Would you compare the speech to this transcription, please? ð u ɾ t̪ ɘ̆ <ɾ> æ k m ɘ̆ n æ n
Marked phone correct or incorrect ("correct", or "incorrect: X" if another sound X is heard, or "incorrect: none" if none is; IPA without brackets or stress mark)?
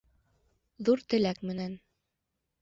incorrect: l